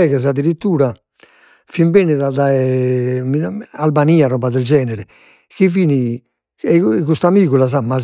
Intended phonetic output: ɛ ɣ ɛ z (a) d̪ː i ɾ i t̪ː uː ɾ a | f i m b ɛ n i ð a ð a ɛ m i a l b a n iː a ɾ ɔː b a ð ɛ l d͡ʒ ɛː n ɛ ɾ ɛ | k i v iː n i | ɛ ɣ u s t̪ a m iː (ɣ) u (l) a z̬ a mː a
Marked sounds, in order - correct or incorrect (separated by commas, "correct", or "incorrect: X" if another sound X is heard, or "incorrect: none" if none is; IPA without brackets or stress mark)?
correct, correct, correct